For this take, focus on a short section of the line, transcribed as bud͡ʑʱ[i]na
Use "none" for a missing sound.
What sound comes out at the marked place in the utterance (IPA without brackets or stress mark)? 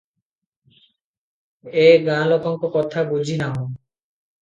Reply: i